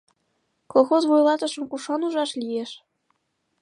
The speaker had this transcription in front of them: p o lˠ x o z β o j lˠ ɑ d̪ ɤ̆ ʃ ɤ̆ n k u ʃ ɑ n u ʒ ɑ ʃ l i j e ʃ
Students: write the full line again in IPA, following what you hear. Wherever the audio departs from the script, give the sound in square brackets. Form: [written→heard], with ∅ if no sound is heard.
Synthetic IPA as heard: [p→k] o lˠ x o z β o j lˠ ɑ [d̪→t̪] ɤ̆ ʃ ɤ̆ [n→m] k u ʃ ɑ n u ʒ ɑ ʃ l i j e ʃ